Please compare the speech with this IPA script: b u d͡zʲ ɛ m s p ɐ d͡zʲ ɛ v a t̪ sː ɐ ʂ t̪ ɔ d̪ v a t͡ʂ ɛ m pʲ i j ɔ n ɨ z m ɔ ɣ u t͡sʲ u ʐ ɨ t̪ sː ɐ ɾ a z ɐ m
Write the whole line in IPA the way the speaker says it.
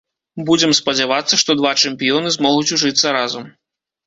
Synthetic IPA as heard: b u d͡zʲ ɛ m s p ɐ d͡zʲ a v a t̪ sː ɐ ʂ t̪ ɔ d̪ v a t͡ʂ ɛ m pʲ i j ɔ n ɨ z m ɔ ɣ u t͡sʲ u ʐ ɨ t̪ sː ɐ ɾ a z ɐ m